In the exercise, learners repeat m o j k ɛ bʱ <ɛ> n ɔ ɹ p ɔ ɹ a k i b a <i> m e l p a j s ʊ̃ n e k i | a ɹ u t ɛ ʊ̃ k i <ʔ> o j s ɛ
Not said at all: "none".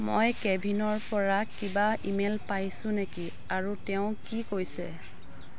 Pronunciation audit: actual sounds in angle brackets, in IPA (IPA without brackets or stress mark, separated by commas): i, i, k